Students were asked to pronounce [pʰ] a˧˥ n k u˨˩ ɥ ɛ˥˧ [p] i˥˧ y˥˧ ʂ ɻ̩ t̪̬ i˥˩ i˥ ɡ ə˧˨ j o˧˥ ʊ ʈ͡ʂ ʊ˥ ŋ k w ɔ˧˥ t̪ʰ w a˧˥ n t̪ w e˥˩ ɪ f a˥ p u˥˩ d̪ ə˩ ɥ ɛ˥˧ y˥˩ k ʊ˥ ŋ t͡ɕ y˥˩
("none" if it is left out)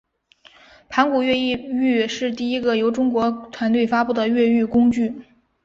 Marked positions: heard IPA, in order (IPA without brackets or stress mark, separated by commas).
pʰ, none